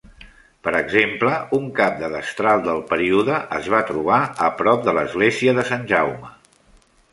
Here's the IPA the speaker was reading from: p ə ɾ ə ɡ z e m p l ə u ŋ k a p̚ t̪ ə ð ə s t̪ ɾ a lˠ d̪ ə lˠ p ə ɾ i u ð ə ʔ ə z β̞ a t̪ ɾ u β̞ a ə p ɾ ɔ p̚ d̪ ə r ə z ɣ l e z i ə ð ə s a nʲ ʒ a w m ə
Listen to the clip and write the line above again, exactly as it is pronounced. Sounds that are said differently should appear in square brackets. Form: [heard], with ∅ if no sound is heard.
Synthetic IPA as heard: p ə ɾ ə ɡ z e m p l ə u ŋ k a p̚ [d̪] ə ð ə s t̪ ɾ a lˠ d̪ ə lˠ p ə ɾ i u ð ə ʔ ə z β̞ a t̪ ɾ u β̞ a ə p ɾ ɔ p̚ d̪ ə [l] ə z ɣ l e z i ə ð ə s a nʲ ʒ a w m ə

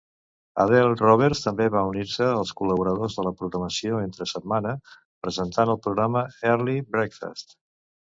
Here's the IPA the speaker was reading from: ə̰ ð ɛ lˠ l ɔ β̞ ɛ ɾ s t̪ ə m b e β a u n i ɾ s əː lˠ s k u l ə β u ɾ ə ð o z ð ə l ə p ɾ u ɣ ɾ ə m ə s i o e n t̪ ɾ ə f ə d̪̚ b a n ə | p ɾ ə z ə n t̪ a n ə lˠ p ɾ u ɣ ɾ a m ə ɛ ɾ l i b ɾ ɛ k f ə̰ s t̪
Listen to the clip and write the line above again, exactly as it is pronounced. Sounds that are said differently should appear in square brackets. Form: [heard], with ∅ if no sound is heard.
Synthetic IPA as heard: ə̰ ð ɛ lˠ [r] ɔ β̞ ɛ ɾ s t̪ ə m b e β a u n i ɾ s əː lˠ s k u l ə β u ɾ ə ð o z ð ə l ə p ɾ u ɣ ɾ ə m ə s i o e n t̪ ɾ ə [s] ə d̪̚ [m] a n ə | p ɾ ə z ə n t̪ a n ə lˠ p ɾ u ɣ ɾ a m ə ɛ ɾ l i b ɾ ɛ k f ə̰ s t̪

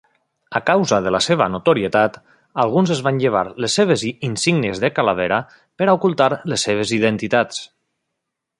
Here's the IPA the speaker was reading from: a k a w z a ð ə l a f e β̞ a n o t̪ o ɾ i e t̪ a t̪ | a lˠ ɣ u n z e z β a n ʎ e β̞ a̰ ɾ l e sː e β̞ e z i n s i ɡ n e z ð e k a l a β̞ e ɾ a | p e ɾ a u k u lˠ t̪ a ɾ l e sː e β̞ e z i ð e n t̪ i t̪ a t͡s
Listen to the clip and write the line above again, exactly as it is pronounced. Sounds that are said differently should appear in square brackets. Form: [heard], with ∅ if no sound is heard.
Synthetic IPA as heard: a k a w z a ð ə l a [s] e β̞ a n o t̪ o ɾ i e t̪ a t̪ | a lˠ ɣ u n z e z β a n ʎ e β̞ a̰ ɾ l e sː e β̞ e z i n s i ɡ n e z ð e k a l a β̞ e ɾ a | p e ɾ a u k u lˠ t̪ a ɾ l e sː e β̞ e z i ð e n t̪ i t̪ a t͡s

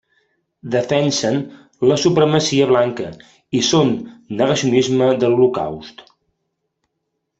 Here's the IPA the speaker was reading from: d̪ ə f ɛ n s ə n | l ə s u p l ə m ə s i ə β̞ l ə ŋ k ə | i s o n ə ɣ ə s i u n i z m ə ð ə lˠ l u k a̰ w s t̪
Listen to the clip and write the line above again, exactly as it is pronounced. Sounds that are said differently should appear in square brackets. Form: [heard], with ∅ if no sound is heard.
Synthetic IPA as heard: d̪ ə f ɛ n s ə n | l ə s u p [ɾ] ə m ə s i ə β̞ l [a] ŋ k ə | i s o [nː] ə ɣ ə s i u n i z m ə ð ə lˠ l u k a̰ w s t̪

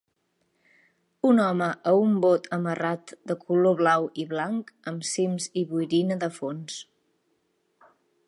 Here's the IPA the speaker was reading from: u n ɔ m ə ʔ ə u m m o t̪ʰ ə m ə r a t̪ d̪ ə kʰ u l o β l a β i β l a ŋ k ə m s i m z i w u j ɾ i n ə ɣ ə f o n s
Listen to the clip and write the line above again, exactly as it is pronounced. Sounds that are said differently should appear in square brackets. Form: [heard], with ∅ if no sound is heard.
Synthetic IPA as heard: u n ɔ m ə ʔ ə u m [b] o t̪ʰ ə m ə r a t̪ d̪ ə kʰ u l o β l a [w] i β l a ŋ k ə m s i m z i [β] u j ɾ i n ə [ð] ə f o n s

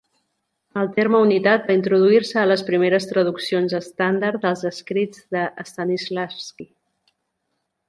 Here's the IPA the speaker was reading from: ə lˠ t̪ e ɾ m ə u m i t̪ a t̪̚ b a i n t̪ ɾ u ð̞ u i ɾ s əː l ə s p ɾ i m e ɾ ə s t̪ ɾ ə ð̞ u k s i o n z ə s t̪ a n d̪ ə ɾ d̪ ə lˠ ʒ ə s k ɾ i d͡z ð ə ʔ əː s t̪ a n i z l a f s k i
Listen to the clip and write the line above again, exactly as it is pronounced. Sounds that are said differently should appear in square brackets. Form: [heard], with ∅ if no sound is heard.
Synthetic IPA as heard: ə lˠ t̪ e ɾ m ə u [n] i t̪ a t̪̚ b a i n t̪ ɾ u ð̞ u i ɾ s əː l ə s p ɾ i m e ɾ ə s t̪ ɾ ə ð̞ u k s i o n z ə s t̪ a n d̪ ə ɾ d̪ ə lˠ [z] ə s k ɾ i d͡z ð ə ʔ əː s t̪ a n i z l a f s k i

